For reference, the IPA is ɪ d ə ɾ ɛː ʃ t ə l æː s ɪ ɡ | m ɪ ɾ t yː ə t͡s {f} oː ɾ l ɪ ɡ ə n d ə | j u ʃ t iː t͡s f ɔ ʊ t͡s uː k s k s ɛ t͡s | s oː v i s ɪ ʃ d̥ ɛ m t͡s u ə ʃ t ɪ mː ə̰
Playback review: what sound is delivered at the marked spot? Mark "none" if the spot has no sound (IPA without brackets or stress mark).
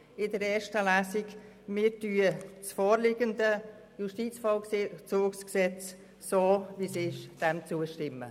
f